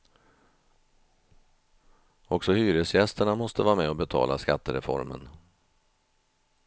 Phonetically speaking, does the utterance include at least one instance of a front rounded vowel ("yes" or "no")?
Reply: yes